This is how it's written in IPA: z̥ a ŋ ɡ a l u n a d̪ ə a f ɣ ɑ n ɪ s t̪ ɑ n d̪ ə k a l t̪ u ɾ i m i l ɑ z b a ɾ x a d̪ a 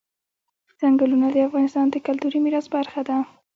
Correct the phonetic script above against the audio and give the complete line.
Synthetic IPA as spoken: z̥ a ŋ ɡ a l u n a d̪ ə a f ɣ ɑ n ɪ s t̪ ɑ n d̪ ə k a l t̪ u ɾ i m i ɾ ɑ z b a ɾ x a d̪ a